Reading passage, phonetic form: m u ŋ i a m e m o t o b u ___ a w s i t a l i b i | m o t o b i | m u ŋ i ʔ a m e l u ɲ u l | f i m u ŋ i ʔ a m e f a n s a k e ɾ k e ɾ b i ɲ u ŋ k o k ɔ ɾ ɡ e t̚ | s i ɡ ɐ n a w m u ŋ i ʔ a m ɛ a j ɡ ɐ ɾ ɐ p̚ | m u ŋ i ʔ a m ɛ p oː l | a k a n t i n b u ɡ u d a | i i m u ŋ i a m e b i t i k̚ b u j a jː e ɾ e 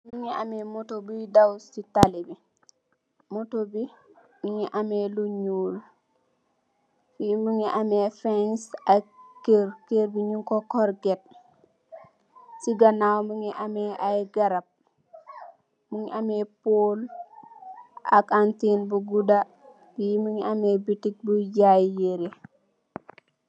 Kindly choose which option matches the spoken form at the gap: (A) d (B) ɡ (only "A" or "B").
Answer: A